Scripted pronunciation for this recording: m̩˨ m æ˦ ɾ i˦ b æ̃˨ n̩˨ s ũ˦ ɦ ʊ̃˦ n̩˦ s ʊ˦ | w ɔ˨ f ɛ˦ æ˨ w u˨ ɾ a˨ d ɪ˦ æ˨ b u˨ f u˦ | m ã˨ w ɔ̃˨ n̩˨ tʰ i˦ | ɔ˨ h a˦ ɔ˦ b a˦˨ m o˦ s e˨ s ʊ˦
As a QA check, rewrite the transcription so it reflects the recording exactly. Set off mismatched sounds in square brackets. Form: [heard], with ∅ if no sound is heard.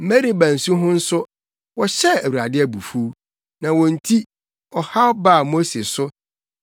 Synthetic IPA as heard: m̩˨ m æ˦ ɾ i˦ b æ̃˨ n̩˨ s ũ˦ ɦ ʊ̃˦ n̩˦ s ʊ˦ | w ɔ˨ [ɕ] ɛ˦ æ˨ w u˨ ɾ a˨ d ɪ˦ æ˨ b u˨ f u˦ | [n] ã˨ w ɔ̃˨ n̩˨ tʰ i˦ | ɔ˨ h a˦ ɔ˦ b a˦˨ m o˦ s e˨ s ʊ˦